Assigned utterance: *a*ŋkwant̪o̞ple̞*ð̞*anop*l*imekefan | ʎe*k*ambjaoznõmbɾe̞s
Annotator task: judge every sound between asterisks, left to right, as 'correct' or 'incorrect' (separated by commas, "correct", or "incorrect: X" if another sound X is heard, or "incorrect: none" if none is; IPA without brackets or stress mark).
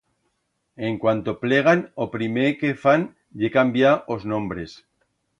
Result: incorrect: e, incorrect: ɣ̞, incorrect: ɾ, correct